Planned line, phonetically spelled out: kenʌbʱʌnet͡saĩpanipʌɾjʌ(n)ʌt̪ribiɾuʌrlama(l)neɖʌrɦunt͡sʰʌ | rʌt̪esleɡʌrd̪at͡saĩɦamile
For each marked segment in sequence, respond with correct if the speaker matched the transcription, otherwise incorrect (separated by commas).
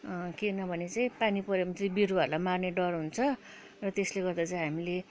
incorrect, incorrect